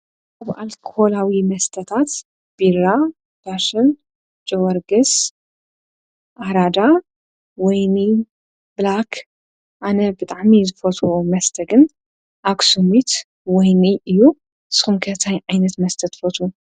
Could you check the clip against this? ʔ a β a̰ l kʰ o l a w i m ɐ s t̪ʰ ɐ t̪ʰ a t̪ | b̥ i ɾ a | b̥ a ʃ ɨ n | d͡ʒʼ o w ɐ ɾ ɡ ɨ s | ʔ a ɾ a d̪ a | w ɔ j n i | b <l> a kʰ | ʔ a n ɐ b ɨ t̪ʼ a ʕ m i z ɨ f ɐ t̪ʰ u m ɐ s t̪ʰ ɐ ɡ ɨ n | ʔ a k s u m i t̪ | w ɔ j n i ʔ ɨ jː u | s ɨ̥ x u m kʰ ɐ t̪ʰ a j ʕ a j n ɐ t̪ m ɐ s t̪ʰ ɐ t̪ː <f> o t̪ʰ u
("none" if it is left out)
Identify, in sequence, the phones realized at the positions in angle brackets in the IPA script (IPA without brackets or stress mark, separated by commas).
l, f